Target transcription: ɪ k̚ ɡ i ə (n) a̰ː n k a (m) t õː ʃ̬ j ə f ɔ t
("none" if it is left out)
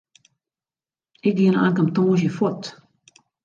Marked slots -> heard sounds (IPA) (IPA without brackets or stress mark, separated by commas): n, m